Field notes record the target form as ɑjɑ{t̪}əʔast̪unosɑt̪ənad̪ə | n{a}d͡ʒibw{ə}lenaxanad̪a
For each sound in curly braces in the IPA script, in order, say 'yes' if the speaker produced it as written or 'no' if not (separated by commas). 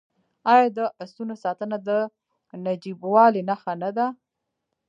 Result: no, yes, no